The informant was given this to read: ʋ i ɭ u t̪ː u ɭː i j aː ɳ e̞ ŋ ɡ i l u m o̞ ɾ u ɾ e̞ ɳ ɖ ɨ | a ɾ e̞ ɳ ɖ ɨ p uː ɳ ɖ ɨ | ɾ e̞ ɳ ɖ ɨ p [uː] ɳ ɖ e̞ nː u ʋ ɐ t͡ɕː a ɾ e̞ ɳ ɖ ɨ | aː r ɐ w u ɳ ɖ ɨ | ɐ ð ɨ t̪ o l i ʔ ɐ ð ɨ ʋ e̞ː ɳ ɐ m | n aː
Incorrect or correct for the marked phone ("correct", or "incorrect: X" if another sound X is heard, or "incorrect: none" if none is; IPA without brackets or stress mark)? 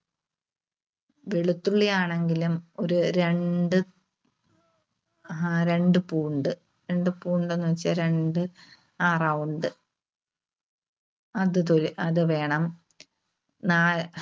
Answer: correct